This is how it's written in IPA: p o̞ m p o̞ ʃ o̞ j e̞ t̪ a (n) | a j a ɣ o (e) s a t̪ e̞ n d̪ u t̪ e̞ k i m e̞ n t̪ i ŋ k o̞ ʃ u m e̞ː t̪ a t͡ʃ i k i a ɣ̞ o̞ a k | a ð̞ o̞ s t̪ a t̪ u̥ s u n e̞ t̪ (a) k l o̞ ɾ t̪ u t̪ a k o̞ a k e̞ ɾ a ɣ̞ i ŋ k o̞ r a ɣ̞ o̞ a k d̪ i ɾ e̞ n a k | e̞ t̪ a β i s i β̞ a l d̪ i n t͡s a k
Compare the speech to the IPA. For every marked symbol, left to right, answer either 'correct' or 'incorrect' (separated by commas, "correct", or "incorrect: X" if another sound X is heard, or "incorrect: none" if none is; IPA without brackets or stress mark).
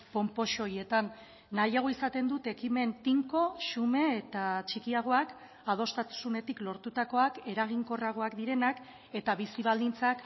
incorrect: nː, incorrect: i, incorrect: i